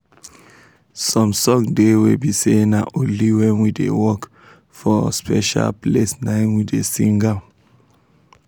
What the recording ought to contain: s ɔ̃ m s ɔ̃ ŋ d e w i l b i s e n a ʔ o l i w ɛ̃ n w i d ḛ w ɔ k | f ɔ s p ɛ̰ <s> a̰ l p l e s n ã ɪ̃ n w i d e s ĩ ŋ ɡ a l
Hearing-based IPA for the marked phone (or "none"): ʃ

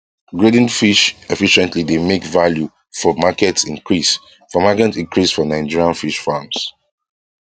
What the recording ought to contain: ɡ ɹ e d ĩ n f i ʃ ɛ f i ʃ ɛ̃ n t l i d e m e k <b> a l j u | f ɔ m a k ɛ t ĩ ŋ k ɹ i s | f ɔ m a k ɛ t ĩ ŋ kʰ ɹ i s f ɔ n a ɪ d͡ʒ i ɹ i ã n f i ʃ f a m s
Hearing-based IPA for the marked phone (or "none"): v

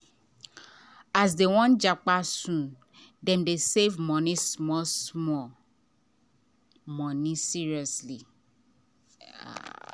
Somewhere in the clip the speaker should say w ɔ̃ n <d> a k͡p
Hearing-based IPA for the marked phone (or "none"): d͡ʒ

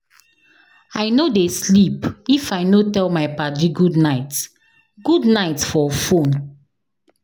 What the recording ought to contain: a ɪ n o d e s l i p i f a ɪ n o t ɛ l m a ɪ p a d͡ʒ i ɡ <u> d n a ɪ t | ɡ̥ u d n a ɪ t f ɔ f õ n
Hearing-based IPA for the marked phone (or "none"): u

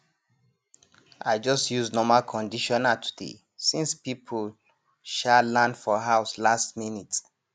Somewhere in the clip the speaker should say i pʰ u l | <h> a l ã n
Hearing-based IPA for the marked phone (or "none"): ʃ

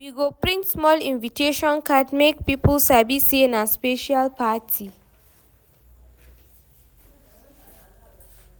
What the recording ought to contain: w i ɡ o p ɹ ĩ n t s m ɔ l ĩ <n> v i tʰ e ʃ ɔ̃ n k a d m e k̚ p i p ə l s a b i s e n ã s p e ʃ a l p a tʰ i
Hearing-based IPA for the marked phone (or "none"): n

